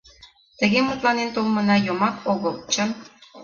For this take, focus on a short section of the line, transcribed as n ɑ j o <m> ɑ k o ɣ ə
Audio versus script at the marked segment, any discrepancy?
no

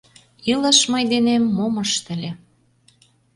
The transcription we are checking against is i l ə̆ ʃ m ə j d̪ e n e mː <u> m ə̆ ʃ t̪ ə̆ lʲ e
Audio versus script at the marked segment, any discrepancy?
yes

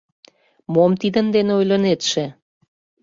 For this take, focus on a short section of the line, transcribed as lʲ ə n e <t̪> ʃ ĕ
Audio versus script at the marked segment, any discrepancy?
no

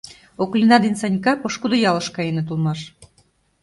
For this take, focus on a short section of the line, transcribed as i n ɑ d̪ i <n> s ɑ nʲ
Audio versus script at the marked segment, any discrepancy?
no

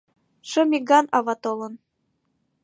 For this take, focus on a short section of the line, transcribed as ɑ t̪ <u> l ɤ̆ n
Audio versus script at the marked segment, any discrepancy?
yes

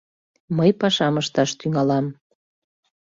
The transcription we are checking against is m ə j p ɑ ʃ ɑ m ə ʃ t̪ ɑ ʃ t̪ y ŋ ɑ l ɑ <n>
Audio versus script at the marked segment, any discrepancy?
yes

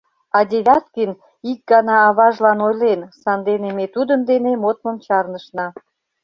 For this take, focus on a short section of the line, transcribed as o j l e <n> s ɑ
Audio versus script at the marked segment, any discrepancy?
no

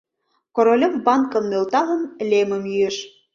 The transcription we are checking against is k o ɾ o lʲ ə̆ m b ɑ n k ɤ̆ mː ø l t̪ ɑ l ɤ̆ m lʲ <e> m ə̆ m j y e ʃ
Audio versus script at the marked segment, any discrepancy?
no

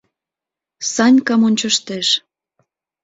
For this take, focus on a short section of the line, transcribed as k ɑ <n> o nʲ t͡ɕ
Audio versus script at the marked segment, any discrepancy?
yes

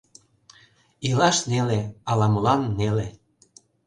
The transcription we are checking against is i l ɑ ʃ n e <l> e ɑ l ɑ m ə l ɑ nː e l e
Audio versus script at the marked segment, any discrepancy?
no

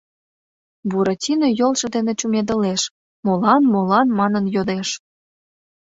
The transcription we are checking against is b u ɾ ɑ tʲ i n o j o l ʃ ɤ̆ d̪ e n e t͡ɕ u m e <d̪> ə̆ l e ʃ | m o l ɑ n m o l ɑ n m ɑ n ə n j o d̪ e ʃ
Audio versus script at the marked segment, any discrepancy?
no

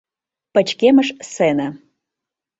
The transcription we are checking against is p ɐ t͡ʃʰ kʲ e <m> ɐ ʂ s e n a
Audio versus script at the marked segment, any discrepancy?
no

